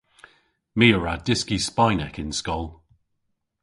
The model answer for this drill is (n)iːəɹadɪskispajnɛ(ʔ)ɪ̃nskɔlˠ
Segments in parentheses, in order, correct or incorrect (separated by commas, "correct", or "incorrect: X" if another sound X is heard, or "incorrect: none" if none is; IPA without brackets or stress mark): incorrect: m, incorrect: k